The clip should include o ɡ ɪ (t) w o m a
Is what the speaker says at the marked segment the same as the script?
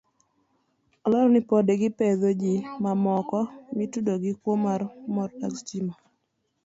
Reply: no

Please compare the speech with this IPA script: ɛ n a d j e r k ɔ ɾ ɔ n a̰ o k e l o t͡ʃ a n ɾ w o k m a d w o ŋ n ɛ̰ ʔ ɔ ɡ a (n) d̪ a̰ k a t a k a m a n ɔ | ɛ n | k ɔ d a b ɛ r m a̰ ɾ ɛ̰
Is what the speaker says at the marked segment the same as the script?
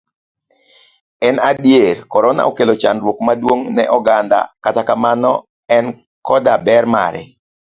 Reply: yes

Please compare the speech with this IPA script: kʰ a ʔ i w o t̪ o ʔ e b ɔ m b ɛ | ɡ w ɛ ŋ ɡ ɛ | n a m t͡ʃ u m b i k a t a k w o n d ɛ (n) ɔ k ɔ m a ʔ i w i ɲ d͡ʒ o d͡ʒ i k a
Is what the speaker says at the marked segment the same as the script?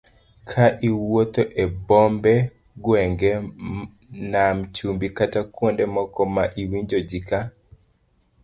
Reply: no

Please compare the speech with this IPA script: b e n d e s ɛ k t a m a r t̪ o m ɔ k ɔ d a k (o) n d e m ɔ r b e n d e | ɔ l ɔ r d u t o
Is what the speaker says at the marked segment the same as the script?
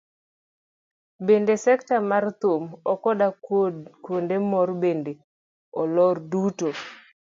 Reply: yes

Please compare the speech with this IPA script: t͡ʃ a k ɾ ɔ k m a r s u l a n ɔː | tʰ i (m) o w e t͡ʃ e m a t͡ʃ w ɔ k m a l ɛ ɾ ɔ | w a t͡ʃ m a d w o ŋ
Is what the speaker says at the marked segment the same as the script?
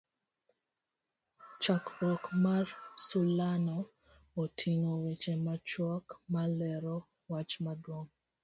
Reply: no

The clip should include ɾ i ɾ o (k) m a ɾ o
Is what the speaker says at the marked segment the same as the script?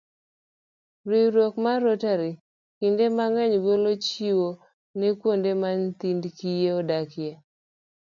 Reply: yes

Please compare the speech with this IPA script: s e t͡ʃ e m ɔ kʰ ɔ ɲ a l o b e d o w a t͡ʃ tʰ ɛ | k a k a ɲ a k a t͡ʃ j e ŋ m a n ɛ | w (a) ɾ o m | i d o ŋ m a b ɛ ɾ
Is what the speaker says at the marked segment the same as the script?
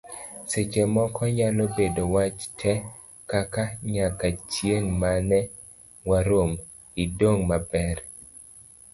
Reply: yes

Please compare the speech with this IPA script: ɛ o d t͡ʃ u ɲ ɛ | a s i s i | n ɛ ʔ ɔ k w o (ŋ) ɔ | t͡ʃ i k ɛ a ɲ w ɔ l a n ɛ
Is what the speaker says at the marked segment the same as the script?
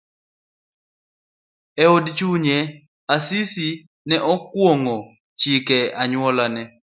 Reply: yes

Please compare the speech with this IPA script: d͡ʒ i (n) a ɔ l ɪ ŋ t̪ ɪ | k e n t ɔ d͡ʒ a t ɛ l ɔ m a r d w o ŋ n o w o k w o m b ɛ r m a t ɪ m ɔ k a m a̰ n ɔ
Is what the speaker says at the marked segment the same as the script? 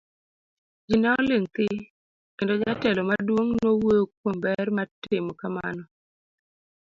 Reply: yes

